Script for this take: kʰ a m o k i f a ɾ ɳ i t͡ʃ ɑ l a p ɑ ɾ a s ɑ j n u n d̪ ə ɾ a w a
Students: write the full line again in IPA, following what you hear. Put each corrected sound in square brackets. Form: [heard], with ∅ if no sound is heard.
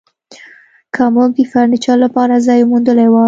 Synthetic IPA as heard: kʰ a m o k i f a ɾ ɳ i t͡ʃ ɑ l a p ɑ ɾ a [z] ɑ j [m] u n d̪ ə [l] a w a